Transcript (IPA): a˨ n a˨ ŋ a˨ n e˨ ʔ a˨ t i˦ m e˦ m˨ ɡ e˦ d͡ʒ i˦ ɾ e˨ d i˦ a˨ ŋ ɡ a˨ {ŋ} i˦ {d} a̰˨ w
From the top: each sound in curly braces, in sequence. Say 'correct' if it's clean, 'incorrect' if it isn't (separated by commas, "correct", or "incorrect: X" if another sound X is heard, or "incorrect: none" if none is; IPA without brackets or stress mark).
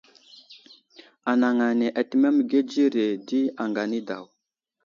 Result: incorrect: n, correct